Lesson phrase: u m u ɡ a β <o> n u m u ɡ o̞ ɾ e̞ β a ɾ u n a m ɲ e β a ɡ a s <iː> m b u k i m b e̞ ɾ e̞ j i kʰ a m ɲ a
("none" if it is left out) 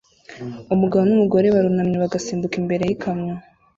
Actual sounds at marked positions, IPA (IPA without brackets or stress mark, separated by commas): o, iː